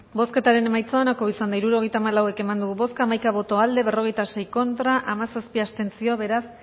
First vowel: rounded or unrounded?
rounded